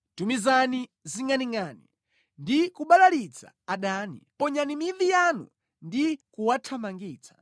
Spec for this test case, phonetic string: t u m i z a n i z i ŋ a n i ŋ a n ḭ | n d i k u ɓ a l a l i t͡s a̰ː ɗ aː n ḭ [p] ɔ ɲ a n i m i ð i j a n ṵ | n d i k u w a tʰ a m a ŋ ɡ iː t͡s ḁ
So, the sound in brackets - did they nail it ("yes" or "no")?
yes